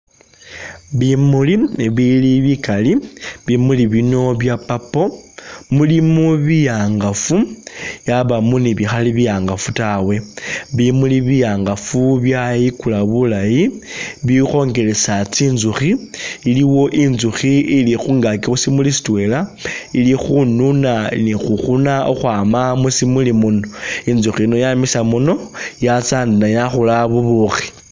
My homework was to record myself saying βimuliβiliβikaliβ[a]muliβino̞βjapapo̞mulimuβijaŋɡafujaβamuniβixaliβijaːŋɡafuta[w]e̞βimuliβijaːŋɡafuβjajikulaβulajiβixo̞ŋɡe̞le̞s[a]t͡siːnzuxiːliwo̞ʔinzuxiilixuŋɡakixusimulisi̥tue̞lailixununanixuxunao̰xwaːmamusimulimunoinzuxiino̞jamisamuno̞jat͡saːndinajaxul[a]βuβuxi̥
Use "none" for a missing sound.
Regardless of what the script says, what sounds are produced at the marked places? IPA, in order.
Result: i, w, a, a

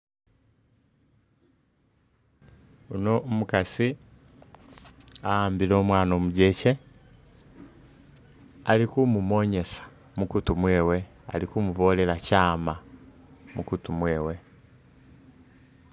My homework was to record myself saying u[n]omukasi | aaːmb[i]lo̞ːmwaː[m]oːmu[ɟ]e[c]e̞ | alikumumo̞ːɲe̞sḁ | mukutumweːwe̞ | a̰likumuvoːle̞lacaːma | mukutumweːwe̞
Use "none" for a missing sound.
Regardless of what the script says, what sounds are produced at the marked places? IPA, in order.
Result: n, i, n, ɟ, c

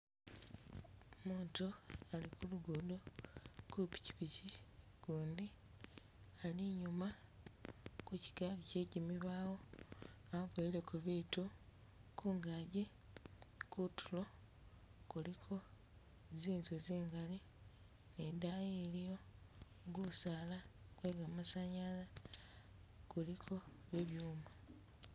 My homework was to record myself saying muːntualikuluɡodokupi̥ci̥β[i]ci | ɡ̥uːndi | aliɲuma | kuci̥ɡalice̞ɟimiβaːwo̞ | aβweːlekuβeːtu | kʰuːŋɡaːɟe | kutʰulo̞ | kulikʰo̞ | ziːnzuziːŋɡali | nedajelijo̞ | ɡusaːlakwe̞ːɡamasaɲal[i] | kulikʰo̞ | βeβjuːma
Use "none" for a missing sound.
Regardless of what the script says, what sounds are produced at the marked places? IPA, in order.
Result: i, a

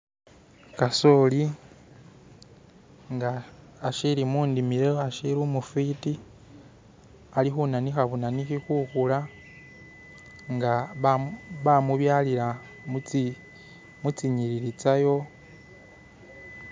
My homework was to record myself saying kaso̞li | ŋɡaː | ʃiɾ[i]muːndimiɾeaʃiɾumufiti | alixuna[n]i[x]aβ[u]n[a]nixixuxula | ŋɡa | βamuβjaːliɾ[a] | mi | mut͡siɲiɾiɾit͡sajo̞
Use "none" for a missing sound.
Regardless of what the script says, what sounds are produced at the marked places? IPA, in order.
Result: i, n, x, u, a, a

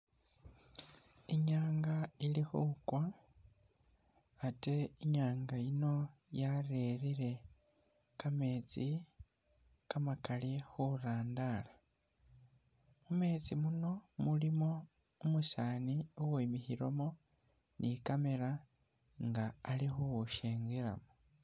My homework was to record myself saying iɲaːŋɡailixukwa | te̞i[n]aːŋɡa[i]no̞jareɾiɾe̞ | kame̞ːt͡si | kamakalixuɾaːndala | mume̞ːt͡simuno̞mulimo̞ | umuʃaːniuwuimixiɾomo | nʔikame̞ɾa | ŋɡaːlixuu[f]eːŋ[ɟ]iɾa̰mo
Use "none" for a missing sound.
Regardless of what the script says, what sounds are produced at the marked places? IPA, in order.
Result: ɲ, i, ʃ, ɡ

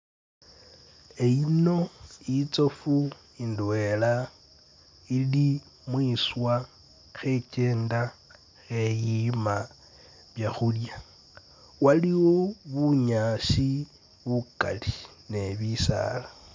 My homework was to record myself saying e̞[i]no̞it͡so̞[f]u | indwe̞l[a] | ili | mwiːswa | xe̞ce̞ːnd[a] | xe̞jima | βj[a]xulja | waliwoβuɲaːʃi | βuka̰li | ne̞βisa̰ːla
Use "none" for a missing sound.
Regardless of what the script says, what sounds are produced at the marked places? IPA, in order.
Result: i, f, a, a, a

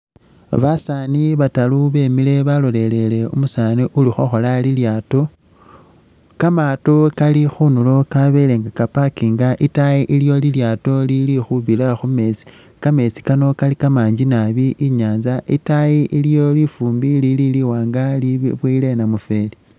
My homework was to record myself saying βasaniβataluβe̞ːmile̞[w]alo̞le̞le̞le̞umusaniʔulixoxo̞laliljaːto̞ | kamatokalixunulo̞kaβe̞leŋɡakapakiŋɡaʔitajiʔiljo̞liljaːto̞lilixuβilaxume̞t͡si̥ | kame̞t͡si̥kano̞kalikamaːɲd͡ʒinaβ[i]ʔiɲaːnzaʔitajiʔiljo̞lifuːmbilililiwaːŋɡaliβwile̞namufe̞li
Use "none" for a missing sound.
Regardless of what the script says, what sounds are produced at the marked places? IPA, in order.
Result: β, i

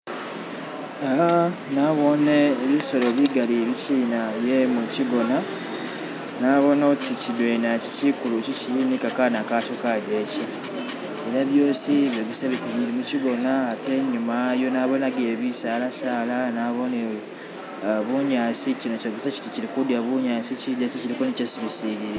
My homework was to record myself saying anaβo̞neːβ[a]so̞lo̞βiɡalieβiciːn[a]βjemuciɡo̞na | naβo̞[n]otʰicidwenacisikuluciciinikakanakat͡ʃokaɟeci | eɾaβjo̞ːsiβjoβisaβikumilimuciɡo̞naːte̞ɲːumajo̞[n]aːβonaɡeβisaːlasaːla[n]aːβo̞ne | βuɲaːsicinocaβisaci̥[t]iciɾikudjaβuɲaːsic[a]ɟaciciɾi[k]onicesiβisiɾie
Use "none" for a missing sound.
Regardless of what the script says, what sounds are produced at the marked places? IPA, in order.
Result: i, a, n, n, n, t, i, k

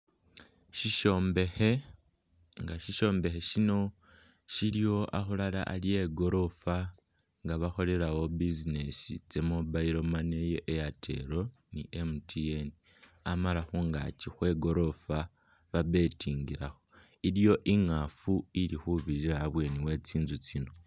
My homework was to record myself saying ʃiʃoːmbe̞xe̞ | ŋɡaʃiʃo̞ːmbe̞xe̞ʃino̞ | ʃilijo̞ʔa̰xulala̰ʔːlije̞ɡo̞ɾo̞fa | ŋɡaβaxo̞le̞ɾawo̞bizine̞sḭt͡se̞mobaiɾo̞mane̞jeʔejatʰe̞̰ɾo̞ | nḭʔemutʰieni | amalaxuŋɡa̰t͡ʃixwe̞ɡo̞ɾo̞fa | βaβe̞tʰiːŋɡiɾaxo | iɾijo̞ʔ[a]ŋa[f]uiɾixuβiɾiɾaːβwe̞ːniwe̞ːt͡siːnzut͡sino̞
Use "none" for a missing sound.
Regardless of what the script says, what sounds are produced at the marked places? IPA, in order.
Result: i, f

